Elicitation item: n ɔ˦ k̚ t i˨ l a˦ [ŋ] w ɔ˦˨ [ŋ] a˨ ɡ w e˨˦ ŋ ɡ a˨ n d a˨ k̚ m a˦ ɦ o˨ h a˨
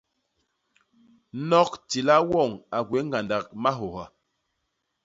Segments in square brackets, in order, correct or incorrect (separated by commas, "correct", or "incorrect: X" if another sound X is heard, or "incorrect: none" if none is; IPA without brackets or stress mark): incorrect: none, correct